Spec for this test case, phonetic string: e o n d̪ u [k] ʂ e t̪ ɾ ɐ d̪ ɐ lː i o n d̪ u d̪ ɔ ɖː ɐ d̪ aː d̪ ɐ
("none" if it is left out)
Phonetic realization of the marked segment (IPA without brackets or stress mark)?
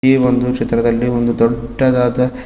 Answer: k